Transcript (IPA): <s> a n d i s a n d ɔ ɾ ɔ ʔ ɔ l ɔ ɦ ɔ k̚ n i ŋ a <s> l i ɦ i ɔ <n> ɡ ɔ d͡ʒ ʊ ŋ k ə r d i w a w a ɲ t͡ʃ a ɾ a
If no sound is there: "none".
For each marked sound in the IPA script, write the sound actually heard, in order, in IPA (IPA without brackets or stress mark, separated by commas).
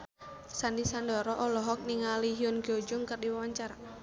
s, none, n